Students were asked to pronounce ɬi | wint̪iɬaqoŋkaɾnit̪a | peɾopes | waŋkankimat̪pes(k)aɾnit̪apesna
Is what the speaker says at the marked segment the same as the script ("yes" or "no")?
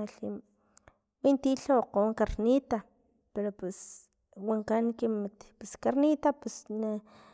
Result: yes